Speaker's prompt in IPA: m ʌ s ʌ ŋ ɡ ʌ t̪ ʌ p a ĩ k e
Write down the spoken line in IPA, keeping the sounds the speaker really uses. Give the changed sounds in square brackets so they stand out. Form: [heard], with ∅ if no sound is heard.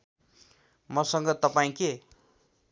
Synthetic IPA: m ʌ s ʌ ŋ ɡ ʌ t̪ ʌ p a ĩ k e